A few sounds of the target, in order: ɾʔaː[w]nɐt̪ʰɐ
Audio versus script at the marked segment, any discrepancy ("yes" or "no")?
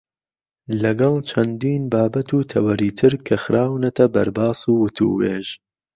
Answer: no